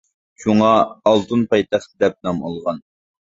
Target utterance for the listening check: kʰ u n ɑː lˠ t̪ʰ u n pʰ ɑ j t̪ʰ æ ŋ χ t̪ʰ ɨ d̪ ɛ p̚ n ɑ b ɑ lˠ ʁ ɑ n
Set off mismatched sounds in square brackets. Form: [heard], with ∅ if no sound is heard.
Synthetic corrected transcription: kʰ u [ŋ] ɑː lˠ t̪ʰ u n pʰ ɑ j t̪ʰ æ [∅] χ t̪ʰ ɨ d̪ ɛ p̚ n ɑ [m] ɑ lˠ ʁ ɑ n